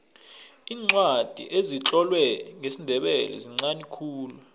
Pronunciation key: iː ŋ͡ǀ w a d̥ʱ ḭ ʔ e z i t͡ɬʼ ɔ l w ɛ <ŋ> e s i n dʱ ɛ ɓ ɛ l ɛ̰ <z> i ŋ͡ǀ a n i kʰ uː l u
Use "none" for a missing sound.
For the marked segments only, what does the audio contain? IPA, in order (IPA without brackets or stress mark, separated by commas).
ŋ, z